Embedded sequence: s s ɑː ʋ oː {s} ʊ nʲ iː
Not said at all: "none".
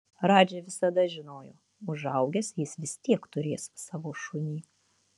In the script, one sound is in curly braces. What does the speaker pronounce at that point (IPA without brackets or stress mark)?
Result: ʃ